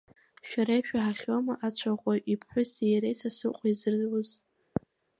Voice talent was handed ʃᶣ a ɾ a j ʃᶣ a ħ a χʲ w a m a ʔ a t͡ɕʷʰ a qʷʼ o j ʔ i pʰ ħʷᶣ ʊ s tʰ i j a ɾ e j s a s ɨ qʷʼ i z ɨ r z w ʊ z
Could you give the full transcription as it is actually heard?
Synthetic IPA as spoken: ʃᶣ a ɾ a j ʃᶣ a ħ a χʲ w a m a ʔ a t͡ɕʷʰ a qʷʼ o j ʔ i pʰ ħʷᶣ ʊ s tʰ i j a ɾ e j s a s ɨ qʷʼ i z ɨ r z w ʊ z